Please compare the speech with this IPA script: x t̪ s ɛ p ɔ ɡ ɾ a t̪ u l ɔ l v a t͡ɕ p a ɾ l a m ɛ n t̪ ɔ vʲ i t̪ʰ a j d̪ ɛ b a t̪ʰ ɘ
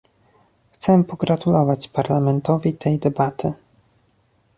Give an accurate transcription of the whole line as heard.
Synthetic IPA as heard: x t̪ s ɛ p ɔ ɡ ɾ a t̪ u l ɔ v a t͡ɕ p a ɾ l a m ɛ n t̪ ɔ vʲ i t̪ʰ ɛ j d̪ ɛ b a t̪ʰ ɘ